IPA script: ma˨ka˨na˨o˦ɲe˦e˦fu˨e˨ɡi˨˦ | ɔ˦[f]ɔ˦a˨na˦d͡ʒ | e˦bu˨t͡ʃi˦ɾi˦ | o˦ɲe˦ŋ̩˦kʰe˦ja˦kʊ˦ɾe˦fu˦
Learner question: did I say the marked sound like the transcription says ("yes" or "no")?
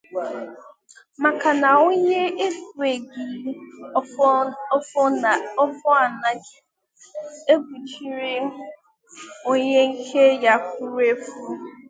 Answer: yes